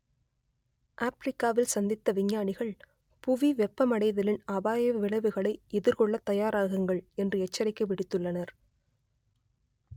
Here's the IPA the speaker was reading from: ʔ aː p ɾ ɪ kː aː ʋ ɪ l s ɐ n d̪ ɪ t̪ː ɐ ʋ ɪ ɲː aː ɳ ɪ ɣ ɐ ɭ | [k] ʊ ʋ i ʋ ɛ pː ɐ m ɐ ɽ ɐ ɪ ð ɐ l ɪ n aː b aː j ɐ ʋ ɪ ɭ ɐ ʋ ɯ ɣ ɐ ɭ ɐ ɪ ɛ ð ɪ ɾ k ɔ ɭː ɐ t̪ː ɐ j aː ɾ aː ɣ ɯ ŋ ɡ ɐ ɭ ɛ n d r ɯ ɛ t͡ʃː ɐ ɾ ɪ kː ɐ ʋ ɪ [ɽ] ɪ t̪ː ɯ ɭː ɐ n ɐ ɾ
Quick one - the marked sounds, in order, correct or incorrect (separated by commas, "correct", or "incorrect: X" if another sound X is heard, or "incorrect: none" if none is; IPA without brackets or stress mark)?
incorrect: p, correct